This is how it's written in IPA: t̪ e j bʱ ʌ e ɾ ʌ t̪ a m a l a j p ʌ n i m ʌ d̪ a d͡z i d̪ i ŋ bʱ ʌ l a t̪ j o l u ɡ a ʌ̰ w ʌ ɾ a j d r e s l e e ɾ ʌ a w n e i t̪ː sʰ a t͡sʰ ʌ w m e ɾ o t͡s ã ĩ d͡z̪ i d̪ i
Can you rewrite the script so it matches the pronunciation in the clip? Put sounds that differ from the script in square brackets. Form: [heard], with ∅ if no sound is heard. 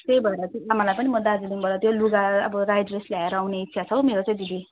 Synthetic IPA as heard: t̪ e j bʱ ʌ e ɾ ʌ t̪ a m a l a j p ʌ n i m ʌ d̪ a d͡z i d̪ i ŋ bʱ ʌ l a t̪ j o l u ɡ a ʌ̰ [b] ʌ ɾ a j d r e s l [a] e ɾ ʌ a w n e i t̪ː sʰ a t͡sʰ ʌ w m e ɾ o t͡s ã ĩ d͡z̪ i d̪ i